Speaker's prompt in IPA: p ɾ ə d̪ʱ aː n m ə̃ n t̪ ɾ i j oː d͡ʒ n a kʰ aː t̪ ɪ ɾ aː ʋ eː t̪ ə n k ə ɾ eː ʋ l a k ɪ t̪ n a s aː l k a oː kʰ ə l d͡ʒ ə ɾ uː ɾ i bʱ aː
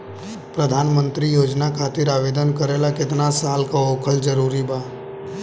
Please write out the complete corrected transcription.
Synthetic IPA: p ɾ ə d̪ʱ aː n m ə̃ n t̪ ɾ i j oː d͡ʒ n a kʰ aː t̪ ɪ ɾ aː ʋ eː d̪ ə n k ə ɾ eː l a k ɪ t̪ n a s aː l k a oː kʰ ə l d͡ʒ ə ɾ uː ɾ i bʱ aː